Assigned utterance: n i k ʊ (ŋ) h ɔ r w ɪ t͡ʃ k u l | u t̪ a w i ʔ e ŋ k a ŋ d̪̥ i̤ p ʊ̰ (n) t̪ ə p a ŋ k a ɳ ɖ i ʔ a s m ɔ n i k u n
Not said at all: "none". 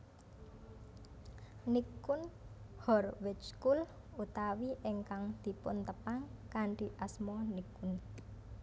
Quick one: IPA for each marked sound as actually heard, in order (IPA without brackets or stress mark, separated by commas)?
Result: n, n